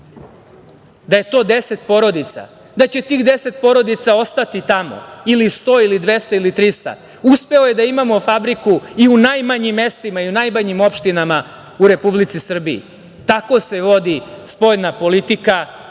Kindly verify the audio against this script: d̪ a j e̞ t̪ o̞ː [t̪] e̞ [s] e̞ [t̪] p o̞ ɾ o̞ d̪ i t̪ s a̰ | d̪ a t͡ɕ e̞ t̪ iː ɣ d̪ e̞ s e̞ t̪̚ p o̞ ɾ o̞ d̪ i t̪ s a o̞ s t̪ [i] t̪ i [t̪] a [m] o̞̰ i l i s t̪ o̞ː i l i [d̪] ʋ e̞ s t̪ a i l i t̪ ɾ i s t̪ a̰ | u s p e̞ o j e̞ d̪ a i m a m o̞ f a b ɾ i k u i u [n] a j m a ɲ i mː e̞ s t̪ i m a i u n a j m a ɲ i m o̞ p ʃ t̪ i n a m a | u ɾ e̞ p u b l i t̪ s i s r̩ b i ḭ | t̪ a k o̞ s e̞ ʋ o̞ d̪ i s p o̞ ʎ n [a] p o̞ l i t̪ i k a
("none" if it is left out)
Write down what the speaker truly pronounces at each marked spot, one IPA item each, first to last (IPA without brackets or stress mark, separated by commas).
d̪, s, t̪, a, t̪, m, d̪, n, a